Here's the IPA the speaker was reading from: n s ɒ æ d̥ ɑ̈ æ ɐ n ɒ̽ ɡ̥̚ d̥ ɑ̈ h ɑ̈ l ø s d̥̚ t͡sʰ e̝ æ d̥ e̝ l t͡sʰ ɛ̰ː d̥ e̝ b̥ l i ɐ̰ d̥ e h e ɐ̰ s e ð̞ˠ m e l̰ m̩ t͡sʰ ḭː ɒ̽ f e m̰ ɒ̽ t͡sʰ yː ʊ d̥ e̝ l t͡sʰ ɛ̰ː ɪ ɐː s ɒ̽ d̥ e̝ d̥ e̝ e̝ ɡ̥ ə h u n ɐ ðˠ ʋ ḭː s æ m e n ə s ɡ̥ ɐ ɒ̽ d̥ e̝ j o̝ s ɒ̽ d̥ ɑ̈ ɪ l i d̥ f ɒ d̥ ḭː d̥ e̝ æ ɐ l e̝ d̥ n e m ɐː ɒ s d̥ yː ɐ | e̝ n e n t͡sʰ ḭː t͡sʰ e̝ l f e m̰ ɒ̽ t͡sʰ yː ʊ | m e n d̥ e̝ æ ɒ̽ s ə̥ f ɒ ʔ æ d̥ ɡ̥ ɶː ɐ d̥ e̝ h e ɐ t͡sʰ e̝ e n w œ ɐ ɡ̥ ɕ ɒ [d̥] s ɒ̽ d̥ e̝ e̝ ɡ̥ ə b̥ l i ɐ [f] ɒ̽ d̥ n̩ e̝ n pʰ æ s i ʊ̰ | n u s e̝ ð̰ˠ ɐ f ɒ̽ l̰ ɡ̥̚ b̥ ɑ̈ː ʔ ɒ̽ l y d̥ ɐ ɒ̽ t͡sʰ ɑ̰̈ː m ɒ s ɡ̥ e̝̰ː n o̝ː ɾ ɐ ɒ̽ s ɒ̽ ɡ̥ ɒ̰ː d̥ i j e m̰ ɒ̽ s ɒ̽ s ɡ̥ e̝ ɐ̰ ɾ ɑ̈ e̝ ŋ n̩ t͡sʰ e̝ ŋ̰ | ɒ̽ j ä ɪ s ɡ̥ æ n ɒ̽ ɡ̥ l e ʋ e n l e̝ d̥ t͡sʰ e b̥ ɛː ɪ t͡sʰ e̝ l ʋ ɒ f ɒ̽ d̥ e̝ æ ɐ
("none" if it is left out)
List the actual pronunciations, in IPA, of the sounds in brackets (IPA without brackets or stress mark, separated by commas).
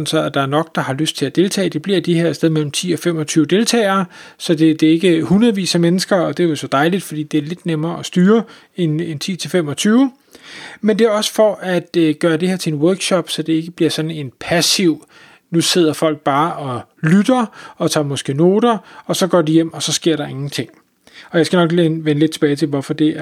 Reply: b̥, s